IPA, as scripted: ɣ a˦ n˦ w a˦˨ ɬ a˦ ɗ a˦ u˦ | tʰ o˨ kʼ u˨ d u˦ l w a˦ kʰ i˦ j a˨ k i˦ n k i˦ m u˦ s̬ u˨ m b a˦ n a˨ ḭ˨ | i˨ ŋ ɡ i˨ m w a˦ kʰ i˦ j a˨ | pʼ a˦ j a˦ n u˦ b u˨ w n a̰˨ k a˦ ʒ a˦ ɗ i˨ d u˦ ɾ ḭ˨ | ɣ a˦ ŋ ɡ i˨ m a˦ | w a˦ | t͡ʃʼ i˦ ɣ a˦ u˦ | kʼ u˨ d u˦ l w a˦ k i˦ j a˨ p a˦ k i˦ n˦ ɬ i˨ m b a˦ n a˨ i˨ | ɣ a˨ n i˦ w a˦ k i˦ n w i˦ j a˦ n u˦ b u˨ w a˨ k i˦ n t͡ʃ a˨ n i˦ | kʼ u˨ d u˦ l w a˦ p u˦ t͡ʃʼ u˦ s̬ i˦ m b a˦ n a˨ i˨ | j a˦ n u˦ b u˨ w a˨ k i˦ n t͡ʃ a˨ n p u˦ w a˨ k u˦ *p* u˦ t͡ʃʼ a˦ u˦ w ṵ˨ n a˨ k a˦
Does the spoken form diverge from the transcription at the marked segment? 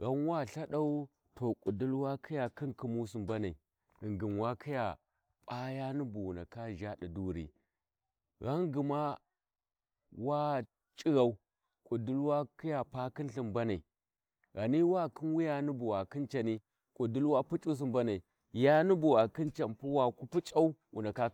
no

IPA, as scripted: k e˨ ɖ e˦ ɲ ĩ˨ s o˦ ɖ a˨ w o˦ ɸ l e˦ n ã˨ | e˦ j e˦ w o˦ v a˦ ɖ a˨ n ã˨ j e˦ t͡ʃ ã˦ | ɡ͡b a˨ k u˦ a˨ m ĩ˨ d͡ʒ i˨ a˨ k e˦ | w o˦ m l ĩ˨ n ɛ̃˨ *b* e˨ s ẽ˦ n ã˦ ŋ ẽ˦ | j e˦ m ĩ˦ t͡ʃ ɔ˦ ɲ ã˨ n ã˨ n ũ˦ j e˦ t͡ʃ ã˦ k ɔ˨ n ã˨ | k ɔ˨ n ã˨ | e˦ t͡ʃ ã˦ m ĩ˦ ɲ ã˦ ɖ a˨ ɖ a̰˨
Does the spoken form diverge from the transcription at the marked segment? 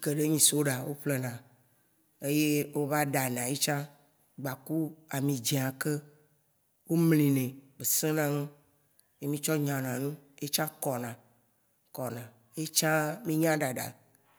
no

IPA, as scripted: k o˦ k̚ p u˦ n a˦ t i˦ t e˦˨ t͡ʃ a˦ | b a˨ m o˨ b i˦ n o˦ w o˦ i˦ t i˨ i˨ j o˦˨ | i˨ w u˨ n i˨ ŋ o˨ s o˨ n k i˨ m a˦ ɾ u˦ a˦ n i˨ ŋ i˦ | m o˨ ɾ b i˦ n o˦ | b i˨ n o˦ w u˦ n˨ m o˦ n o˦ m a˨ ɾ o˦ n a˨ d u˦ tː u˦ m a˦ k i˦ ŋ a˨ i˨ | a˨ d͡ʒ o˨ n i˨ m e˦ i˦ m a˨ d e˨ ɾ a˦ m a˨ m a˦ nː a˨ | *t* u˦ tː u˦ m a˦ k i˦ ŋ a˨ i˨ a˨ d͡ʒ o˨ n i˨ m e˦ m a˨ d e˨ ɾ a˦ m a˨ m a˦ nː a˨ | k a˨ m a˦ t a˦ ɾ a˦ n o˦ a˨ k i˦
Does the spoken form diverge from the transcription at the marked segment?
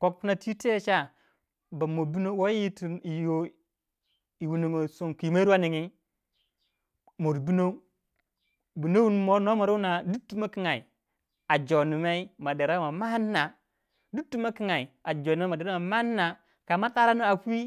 yes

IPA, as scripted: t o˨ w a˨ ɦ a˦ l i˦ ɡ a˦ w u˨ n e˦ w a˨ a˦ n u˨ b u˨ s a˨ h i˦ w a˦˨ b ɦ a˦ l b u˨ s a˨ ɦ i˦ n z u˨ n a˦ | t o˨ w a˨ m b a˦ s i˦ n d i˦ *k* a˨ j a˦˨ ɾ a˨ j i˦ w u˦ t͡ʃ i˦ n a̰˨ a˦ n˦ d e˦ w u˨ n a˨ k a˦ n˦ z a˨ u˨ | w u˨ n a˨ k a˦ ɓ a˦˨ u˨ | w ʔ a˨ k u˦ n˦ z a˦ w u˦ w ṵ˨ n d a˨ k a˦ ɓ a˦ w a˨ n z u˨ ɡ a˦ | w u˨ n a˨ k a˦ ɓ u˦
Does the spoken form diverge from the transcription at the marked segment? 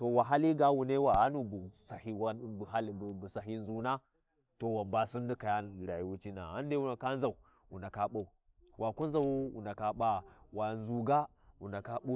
no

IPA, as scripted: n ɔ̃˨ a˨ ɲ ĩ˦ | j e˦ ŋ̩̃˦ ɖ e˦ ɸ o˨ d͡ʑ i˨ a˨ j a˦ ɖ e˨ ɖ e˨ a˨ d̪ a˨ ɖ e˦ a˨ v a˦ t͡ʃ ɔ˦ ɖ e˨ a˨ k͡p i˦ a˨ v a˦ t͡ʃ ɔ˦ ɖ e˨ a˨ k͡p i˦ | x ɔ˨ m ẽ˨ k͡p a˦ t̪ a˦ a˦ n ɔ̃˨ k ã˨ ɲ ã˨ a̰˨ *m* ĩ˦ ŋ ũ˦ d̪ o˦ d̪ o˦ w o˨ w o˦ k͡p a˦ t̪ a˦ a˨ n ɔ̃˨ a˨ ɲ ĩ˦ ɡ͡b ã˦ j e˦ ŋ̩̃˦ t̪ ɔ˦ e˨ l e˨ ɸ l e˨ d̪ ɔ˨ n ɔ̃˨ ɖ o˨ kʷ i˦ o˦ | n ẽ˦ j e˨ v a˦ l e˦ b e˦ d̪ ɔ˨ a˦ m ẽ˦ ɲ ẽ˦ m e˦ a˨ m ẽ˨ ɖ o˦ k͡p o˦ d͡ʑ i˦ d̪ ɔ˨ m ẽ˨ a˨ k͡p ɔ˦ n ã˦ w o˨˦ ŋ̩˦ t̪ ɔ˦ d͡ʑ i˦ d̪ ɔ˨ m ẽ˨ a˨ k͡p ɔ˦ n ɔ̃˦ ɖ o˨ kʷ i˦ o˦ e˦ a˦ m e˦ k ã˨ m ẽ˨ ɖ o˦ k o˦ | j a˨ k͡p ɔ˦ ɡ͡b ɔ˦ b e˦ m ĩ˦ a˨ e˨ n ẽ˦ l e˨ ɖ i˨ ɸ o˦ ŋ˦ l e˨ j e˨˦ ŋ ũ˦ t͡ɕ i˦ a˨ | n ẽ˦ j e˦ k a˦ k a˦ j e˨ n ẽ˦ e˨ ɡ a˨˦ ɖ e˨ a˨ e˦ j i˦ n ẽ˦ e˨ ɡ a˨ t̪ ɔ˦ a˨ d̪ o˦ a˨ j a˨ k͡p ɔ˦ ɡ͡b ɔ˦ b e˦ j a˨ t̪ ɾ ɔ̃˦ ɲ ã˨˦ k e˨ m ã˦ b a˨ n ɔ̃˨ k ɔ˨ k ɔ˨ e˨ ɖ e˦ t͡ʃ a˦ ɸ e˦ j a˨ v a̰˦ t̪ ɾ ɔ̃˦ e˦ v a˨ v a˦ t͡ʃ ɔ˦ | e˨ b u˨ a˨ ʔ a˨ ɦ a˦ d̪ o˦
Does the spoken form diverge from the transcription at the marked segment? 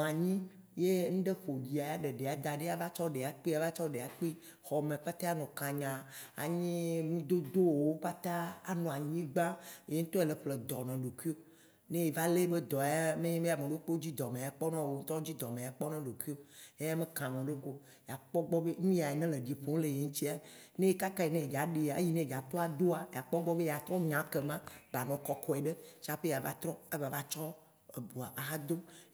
yes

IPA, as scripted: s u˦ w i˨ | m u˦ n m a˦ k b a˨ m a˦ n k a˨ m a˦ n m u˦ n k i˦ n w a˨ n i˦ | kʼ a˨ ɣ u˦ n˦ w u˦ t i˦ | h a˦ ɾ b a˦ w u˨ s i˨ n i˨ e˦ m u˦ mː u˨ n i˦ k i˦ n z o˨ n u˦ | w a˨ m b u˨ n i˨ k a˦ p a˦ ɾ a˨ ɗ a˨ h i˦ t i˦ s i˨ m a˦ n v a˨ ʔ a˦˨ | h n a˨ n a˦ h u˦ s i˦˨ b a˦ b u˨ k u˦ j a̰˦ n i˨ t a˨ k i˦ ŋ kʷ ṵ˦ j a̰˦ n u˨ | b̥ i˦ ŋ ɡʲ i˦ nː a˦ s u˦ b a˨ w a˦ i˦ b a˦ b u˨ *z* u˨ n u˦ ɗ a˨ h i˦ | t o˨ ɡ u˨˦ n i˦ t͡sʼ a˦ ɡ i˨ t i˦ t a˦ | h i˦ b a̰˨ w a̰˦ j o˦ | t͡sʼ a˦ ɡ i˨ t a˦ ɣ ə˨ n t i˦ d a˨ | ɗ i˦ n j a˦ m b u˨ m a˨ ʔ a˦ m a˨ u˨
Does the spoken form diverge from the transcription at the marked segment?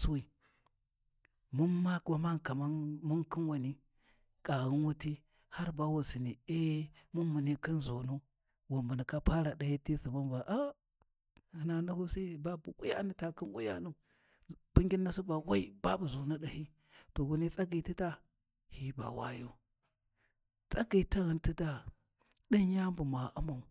no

